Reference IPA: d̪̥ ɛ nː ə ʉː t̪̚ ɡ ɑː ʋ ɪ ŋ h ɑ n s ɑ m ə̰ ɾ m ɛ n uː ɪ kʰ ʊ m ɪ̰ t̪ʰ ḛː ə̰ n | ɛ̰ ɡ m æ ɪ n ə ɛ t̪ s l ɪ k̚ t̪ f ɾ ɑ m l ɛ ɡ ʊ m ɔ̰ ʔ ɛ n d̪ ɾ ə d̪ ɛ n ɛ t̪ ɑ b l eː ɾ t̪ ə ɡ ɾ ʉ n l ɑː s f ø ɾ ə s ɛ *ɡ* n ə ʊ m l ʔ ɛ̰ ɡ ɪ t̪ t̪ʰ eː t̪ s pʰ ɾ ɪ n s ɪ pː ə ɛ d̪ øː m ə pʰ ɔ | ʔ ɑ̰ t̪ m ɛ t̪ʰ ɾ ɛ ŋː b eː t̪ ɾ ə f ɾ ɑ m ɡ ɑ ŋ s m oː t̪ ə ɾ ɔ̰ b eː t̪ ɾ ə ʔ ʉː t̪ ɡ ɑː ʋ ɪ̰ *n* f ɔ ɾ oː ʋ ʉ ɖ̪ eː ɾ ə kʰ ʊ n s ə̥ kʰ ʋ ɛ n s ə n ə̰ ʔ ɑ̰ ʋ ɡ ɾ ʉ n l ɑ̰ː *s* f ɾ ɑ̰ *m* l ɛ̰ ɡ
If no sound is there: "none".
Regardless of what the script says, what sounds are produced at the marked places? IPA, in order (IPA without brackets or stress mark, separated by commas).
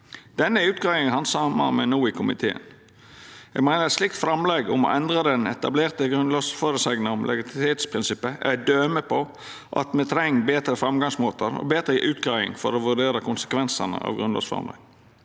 ɡ, ŋ, s, m